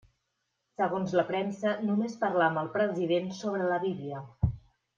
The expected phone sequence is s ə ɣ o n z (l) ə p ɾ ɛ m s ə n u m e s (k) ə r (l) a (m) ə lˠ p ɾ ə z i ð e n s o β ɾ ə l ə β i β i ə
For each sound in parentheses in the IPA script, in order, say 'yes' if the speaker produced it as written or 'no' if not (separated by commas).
yes, no, yes, yes